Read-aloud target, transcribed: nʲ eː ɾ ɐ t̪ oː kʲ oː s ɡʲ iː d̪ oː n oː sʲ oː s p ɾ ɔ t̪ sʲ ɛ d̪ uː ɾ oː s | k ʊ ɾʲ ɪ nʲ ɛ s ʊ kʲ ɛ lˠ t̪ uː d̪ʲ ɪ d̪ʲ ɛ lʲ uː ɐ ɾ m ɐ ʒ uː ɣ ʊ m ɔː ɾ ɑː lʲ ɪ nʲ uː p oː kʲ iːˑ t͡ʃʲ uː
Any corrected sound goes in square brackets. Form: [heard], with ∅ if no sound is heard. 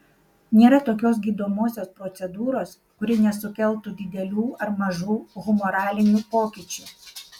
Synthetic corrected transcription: nʲ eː ɾ ɐ t̪ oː kʲ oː s ɡʲ iː d̪ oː [m] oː sʲ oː s p ɾ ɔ t̪ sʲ ɛ d̪ uː ɾ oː s | k ʊ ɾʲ ɪ nʲ ɛ s ʊ kʲ ɛ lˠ t̪ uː d̪ʲ ɪ d̪ʲ ɛ lʲ uː ɐ ɾ m ɐ ʒ uː ɣ ʊ m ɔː ɾ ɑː lʲ ɪ nʲ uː p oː kʲ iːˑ t͡ʃʲ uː

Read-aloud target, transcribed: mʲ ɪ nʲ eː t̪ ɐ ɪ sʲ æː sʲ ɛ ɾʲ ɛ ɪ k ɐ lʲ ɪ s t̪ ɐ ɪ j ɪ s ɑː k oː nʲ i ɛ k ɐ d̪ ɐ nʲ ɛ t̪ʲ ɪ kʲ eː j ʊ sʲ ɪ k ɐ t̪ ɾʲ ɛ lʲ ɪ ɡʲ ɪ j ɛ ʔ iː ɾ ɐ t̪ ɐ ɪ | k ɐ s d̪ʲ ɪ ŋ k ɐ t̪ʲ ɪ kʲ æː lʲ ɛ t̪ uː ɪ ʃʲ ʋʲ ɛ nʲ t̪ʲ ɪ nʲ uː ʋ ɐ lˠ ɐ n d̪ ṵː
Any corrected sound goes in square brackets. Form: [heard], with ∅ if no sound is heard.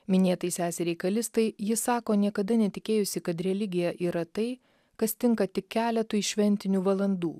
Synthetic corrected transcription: mʲ ɪ nʲ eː t̪ ɐ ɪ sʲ æː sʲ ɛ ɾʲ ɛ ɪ k ɐ lʲ ɪ s t̪ ɐ ɪ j ɪ s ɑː k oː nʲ i ɛ k ɐ d̪ ɐ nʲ ɛ t̪ʲ ɪ kʲ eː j ʊ sʲ ɪ k ɐ t̪ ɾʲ ɛ lʲ ɪ ɡʲ ɪ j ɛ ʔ iː ɾ ɐ t̪ ɐ ɪ | k ɐ s [t̪ʲ] ɪ ŋ k ɐ t̪ʲ ɪ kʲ æː lʲ ɛ t̪ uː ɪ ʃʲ ʋʲ ɛ nʲ t̪ʲ ɪ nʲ uː ʋ ɐ lˠ ɐ n d̪ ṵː

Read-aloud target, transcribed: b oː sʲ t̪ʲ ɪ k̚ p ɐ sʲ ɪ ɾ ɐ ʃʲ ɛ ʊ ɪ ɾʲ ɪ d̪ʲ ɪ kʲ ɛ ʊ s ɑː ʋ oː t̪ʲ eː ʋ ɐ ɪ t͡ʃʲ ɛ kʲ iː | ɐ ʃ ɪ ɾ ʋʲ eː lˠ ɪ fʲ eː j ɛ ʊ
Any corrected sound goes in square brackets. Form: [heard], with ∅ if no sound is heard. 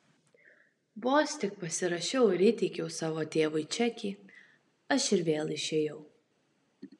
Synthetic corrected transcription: b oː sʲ t̪ʲ ɪ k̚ p ɐ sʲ ɪ ɾ ɐ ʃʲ ɛ ʊ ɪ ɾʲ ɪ [t̪ʲ] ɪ kʲ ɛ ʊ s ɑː ʋ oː t̪ʲ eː ʋ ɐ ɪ t͡ʃʲ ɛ kʲ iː | ɐ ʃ ɪ ɾ ʋʲ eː lˠ ɪ [ʃʲ] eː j ɛ ʊ

